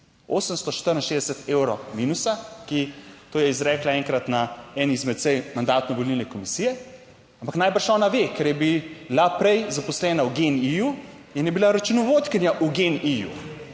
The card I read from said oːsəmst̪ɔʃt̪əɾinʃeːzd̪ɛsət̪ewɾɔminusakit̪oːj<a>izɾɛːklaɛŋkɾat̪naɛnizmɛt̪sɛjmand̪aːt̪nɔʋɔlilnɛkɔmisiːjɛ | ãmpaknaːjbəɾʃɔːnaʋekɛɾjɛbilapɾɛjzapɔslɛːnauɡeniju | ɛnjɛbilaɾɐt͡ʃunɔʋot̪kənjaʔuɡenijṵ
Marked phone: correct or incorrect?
incorrect